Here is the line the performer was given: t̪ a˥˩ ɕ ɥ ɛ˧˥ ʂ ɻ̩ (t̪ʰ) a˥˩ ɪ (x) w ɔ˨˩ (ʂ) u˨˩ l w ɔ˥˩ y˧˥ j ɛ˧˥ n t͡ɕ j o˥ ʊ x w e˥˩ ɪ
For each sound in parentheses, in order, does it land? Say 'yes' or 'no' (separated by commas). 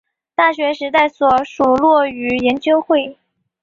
no, no, yes